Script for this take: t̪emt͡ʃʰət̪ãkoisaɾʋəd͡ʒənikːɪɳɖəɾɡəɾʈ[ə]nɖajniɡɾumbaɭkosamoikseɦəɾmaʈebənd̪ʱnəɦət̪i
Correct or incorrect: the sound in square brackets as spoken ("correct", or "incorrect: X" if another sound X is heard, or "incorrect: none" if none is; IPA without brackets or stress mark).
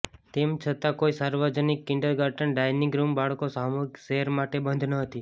correct